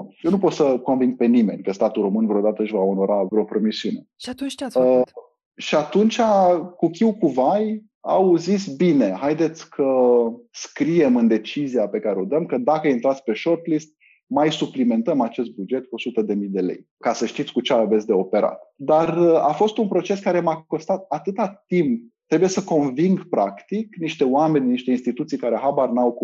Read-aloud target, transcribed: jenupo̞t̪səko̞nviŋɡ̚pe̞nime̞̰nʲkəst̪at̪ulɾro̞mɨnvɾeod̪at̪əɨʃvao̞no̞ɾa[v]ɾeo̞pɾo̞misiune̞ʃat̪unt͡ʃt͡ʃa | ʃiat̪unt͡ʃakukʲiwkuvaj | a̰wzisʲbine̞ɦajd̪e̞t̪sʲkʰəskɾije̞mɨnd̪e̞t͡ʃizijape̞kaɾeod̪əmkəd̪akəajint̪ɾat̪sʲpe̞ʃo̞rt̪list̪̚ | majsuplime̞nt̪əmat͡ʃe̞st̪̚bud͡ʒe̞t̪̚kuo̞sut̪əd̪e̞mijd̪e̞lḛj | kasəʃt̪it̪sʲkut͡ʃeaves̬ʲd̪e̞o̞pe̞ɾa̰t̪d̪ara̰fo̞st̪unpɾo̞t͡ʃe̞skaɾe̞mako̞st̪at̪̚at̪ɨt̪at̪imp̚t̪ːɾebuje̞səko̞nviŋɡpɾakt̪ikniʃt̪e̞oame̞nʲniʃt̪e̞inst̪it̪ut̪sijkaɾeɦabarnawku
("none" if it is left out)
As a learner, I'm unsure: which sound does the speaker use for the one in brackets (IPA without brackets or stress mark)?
v